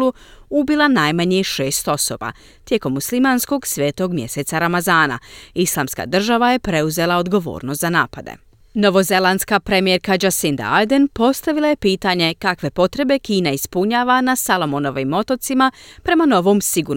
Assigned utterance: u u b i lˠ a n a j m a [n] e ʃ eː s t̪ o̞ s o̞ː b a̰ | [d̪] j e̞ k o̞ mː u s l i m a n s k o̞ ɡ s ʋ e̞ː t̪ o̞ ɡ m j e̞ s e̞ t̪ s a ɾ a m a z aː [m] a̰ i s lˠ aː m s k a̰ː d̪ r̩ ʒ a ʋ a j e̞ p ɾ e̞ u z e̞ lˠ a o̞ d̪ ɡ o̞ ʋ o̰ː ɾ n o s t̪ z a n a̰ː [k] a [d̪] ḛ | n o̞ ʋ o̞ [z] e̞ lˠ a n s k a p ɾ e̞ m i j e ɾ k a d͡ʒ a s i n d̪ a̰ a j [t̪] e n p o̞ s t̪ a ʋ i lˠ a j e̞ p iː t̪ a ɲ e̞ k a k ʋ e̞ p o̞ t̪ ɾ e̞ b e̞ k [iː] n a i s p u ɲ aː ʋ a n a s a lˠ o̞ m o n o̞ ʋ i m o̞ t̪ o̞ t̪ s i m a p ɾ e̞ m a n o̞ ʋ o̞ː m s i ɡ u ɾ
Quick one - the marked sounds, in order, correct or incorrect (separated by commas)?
incorrect, incorrect, incorrect, incorrect, correct, correct, incorrect, correct